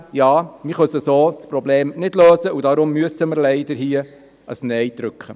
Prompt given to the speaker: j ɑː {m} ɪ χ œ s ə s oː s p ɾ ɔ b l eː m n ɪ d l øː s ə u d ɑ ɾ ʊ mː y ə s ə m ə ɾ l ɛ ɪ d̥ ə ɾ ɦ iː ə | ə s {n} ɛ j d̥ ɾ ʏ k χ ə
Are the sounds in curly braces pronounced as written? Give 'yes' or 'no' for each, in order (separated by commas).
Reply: yes, yes